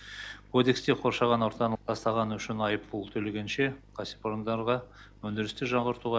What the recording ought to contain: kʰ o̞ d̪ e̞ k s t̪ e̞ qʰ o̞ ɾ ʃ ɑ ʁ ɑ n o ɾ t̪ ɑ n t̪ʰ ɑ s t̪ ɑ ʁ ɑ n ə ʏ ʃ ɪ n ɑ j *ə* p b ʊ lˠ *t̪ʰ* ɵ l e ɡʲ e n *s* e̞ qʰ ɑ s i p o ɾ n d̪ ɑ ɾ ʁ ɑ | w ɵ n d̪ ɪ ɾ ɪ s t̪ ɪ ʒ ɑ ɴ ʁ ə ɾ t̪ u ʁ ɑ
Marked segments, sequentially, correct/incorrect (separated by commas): correct, correct, incorrect